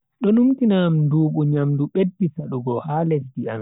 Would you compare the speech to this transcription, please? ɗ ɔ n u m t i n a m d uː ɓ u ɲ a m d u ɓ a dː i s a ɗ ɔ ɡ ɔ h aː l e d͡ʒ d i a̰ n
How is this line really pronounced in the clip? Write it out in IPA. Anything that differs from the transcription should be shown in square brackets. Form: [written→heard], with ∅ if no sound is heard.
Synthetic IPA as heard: ɗ ɔ n u m t i n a m d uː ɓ u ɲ a m d u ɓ [a→e] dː i s a ɗ [ɔ→u] ɡ ɔ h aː l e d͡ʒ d i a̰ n